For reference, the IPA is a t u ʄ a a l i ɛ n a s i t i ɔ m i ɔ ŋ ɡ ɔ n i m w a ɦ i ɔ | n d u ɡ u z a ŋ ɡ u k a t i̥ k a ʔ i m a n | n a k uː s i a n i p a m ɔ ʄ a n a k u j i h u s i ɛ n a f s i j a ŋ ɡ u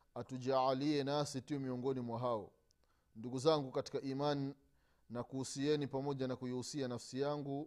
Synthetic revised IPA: a t u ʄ a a l i ɛ n a s i t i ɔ m i ɔ ŋ ɡ ɔ n i m w a ɦ a ɔ | n d u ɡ u z a ŋ ɡ u k a t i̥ k a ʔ i m a n | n a k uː s i ɛ n i p a m ɔ ʄ a n a k u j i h u s i a n a f s i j a ŋ ɡ u